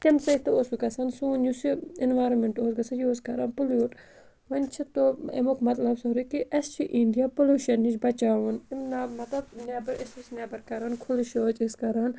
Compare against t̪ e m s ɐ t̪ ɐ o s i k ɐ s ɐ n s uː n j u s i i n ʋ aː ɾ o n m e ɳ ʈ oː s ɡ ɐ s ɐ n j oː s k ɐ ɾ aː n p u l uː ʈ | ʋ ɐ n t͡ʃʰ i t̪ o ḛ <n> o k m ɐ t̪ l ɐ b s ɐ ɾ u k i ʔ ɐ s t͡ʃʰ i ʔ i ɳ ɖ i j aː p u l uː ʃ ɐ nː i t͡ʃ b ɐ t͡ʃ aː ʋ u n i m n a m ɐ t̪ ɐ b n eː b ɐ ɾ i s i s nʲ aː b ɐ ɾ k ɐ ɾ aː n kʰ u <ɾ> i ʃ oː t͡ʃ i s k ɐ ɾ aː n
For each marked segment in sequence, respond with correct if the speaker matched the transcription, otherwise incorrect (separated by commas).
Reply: incorrect, incorrect